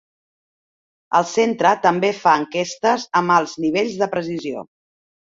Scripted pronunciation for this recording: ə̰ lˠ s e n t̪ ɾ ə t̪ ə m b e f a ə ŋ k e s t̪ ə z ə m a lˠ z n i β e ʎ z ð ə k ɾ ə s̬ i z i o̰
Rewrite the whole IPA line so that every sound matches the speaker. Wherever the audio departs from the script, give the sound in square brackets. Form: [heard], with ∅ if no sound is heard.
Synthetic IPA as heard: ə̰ lˠ s e n t̪ ɾ ə t̪ ə m b e f a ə ŋ k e s t̪ ə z ə m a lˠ z n i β e ʎ z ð ə [p] ɾ ə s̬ i z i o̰